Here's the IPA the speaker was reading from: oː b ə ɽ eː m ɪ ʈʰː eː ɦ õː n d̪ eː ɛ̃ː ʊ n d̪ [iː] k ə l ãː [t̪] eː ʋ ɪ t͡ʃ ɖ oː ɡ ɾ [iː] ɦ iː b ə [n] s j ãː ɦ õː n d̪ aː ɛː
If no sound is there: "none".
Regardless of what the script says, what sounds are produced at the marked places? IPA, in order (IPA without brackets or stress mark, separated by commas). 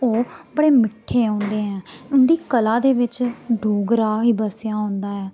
iː, d̪, aː, none